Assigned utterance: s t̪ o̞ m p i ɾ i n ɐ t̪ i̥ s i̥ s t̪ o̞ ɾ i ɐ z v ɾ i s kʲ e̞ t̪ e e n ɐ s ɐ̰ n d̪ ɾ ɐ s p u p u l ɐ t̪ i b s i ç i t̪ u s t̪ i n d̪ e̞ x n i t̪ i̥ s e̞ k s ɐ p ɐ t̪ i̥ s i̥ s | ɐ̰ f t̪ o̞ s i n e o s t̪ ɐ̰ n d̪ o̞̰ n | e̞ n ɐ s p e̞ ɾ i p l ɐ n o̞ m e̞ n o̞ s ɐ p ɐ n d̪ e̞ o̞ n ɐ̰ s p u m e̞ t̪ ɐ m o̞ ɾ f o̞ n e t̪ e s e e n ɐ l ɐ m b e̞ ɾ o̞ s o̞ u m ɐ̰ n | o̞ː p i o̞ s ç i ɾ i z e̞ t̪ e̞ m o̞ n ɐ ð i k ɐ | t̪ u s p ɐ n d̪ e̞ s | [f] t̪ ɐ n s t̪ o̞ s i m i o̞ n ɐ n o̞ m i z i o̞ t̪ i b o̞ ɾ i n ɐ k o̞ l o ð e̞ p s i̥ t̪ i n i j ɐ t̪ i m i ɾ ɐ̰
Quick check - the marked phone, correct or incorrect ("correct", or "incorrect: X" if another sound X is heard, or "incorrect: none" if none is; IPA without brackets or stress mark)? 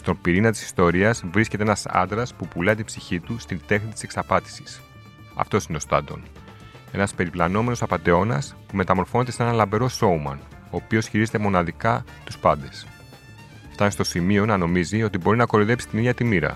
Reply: correct